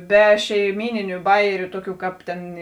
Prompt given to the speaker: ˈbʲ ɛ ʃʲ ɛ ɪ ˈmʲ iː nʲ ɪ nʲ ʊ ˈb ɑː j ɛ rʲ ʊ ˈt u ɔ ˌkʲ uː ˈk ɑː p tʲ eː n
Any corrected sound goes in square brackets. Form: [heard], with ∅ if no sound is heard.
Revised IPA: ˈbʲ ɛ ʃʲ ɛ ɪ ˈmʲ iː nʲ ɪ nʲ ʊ ˈb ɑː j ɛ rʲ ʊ ˈt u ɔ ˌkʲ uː ˈk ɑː p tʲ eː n